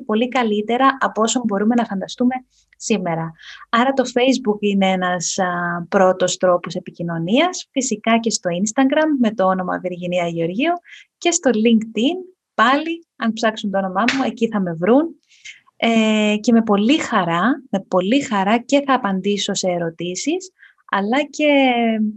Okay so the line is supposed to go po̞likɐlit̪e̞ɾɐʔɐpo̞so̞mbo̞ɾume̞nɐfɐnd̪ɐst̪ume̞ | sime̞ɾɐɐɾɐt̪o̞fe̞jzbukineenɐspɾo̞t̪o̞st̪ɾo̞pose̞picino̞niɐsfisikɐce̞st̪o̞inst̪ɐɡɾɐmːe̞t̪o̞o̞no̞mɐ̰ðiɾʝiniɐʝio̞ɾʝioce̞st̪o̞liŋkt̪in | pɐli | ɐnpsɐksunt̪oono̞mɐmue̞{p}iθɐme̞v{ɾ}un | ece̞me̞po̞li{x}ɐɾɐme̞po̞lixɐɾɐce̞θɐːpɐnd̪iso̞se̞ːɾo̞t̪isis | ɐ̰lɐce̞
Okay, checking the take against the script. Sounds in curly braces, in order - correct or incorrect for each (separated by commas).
incorrect, correct, correct